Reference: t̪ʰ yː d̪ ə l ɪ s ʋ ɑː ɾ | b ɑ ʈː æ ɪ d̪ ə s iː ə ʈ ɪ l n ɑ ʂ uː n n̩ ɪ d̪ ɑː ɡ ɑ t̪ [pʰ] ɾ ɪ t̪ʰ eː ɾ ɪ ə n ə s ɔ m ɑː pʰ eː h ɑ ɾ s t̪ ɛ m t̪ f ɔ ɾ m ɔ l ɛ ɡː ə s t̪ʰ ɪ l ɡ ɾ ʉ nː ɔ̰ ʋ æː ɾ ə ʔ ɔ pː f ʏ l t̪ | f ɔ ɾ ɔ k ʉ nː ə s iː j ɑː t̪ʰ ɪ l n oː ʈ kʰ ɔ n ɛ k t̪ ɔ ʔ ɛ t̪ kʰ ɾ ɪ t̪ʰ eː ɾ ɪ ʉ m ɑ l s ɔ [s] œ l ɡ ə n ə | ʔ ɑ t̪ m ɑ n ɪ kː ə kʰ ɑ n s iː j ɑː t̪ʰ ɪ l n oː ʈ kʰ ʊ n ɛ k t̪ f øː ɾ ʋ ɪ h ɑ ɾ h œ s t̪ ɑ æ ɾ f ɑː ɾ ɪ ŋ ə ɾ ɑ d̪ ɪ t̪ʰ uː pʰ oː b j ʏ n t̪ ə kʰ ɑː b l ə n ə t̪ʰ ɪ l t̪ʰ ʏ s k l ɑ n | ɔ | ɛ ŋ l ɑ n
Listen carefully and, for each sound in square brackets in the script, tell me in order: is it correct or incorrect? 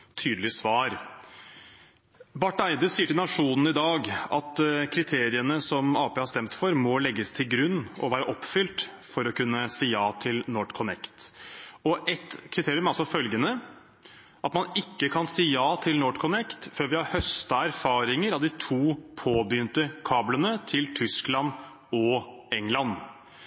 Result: incorrect, incorrect

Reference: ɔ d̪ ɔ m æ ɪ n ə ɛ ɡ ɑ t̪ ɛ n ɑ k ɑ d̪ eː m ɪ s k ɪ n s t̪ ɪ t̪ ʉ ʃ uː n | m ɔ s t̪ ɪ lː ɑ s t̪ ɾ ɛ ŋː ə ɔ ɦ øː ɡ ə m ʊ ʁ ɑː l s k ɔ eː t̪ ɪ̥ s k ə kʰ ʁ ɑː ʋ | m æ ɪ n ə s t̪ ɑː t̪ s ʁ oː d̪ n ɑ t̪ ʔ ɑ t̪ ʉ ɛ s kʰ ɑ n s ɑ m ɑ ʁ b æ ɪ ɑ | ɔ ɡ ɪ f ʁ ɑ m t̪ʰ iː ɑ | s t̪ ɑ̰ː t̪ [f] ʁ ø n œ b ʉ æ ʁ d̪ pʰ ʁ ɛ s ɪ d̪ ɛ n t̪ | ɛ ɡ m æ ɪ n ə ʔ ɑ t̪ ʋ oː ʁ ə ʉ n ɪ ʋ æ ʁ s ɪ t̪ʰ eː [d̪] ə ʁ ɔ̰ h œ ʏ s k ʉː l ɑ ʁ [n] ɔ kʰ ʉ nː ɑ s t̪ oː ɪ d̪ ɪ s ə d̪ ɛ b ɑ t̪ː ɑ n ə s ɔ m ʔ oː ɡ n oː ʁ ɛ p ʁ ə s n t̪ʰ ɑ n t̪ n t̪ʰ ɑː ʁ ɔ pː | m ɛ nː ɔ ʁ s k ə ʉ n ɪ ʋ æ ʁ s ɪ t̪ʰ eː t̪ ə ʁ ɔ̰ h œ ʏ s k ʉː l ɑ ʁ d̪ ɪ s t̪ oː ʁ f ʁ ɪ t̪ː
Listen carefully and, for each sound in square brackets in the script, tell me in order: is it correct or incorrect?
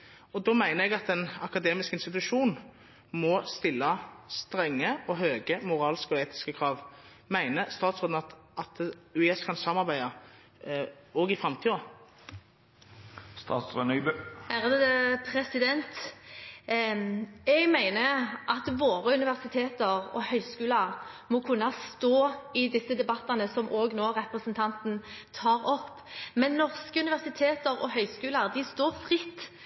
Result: incorrect, incorrect, incorrect

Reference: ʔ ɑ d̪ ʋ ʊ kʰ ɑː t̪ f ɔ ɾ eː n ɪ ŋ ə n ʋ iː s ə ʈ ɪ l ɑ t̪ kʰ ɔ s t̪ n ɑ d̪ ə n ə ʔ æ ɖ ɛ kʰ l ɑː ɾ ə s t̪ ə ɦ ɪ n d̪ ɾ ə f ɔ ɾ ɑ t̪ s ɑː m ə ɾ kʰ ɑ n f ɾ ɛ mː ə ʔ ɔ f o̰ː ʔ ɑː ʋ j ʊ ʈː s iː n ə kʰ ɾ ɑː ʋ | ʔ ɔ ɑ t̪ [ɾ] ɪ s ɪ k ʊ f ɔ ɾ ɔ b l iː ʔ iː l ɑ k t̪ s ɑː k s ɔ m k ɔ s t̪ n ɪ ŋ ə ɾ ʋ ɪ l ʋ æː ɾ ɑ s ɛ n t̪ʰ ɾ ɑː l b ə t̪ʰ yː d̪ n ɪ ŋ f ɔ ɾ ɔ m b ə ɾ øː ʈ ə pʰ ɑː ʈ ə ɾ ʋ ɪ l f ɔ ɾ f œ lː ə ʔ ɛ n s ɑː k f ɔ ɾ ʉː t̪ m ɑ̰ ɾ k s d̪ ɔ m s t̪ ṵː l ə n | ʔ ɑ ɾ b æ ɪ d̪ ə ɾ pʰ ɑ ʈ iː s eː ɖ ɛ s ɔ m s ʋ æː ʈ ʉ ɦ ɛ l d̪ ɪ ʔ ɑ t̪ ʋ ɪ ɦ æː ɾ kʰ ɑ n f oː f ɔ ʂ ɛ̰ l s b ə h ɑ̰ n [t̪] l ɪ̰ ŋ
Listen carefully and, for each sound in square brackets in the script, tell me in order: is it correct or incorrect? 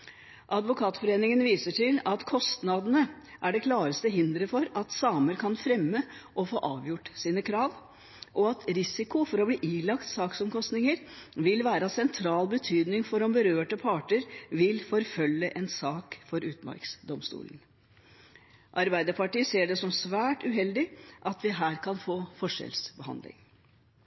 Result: correct, incorrect

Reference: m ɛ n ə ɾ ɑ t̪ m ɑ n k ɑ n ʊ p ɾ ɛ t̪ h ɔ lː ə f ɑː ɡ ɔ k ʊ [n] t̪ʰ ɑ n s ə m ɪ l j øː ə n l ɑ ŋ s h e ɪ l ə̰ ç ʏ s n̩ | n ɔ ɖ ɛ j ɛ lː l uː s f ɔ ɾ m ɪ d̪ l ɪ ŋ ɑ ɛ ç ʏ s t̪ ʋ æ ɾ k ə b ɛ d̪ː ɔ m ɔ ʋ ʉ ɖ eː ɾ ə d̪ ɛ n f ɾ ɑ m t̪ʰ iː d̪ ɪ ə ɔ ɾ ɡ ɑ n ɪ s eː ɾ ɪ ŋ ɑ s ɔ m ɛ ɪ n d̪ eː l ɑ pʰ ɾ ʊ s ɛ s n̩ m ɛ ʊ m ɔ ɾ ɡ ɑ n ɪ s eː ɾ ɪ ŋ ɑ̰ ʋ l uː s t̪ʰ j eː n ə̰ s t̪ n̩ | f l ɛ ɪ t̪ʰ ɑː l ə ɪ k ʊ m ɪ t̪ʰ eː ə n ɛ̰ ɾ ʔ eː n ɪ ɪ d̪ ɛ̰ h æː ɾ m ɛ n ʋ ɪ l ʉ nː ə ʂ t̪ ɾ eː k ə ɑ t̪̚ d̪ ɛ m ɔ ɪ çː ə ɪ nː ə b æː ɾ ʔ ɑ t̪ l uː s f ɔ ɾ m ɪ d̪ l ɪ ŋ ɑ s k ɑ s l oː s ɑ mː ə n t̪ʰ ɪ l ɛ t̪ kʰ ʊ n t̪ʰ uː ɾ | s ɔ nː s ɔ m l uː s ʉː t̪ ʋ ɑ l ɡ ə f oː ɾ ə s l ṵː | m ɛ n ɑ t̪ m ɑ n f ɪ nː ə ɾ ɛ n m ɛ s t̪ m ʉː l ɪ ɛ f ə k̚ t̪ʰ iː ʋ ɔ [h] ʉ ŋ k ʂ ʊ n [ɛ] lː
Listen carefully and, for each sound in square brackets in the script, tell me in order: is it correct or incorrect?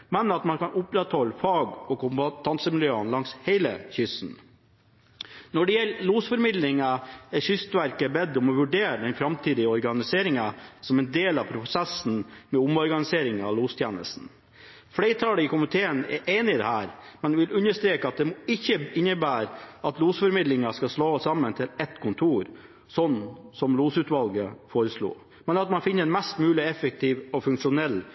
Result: incorrect, incorrect, correct

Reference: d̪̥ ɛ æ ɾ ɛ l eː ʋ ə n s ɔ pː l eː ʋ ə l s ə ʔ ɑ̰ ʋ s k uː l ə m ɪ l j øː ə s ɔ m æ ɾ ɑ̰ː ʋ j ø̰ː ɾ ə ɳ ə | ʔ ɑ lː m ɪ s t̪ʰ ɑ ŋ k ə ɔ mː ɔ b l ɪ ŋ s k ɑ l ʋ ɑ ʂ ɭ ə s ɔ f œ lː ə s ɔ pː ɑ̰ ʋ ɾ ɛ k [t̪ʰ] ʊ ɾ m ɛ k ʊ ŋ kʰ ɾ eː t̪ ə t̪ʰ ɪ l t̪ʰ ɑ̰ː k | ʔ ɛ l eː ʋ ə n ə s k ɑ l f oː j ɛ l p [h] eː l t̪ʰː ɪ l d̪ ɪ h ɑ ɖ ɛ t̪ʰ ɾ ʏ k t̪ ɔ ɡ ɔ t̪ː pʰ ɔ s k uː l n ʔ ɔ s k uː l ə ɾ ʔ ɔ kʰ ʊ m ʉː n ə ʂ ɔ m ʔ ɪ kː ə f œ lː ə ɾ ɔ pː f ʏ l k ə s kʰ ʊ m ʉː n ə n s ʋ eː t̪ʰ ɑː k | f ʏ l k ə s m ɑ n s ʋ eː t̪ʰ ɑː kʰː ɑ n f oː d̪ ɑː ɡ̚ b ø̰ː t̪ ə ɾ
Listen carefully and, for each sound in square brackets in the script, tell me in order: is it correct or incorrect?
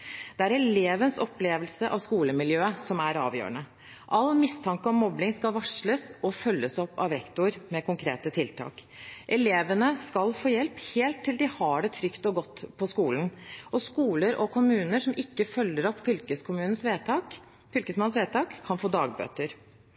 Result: incorrect, correct

